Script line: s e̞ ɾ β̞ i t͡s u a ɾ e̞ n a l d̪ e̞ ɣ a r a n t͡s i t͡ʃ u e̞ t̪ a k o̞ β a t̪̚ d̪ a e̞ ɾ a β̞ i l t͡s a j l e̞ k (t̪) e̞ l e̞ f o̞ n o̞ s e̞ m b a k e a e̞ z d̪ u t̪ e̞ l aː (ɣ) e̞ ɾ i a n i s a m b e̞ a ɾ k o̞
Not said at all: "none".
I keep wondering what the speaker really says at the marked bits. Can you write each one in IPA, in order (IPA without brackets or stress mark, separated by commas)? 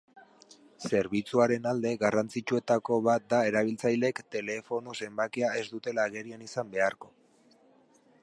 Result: t̪, ɣ